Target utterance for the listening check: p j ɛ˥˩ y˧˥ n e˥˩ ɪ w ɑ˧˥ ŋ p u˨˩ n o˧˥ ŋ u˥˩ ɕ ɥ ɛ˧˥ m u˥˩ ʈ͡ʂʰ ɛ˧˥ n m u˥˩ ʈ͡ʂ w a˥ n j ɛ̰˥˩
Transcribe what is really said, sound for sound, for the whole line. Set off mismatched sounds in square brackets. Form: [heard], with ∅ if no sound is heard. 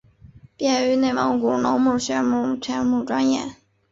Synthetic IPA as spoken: p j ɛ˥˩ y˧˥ n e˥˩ ɪ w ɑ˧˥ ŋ [k] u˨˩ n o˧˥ [m] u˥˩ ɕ ɥ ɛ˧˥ m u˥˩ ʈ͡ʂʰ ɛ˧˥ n m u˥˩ ʈ͡ʂ w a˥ n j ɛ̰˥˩